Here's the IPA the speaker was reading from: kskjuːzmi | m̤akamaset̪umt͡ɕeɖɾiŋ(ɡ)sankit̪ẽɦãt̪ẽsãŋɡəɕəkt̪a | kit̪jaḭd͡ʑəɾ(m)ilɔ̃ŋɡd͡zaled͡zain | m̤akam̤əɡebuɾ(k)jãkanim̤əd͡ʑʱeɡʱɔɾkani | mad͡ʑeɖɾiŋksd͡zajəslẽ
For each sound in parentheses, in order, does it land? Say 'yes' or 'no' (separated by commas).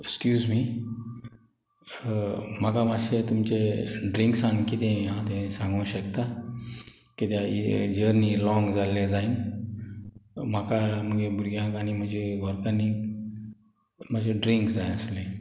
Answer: no, no, no